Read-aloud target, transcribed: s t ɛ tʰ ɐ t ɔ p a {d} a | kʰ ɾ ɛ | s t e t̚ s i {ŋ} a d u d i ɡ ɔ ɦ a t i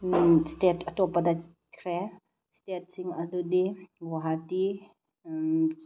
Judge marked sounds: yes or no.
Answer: yes, yes

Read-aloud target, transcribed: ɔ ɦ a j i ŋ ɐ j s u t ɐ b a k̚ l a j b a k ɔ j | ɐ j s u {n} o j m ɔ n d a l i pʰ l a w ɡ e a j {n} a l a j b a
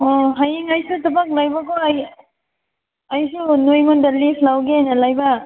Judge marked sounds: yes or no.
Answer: yes, yes

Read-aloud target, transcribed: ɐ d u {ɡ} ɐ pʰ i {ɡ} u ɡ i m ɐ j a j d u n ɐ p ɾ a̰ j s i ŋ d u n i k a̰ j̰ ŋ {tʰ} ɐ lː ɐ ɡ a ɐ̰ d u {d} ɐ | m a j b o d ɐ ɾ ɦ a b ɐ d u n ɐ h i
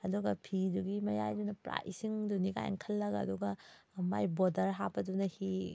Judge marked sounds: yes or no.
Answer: yes, no, no, no

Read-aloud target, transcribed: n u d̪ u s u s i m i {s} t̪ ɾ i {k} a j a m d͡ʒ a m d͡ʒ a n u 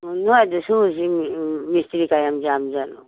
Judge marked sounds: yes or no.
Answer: yes, yes

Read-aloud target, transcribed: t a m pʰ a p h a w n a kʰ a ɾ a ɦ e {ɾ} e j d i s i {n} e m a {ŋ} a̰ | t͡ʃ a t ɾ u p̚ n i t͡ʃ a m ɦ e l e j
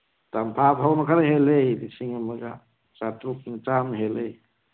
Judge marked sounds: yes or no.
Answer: no, no, no

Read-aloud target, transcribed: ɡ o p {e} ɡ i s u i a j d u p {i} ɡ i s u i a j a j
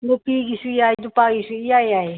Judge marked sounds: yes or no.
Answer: no, no

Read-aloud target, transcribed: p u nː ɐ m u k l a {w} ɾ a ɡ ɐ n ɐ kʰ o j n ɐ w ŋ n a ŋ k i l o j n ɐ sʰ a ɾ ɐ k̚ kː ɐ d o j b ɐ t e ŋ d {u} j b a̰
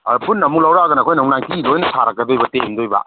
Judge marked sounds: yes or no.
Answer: yes, no

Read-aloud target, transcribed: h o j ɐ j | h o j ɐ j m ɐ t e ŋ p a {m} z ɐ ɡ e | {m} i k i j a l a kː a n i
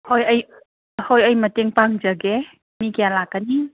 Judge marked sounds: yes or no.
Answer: no, yes

